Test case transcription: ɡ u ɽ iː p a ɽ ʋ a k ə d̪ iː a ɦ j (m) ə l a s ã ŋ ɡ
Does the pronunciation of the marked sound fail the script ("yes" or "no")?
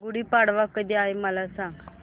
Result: no